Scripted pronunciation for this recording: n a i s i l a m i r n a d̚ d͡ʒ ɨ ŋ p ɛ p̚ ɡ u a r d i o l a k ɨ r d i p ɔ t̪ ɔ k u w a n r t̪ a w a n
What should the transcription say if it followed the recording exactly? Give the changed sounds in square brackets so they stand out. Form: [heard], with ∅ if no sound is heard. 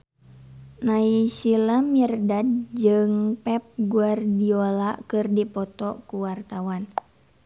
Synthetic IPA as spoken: n a i s i l a m i r [d] a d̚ d͡ʒ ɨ ŋ p ɛ p̚ ɡ u a r d i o l a k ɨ r d i p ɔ t̪ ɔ k u w a [∅] r t̪ a w a n